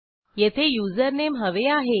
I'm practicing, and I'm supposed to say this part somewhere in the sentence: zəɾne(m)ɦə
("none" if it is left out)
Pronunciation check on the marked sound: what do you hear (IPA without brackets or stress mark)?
m